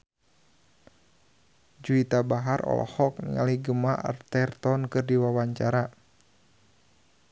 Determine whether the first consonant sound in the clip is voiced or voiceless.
voiced